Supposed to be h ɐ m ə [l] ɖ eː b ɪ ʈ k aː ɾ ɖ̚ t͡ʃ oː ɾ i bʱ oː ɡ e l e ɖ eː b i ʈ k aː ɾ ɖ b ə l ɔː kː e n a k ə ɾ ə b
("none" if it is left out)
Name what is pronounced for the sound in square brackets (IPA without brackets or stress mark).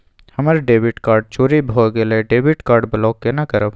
ɾ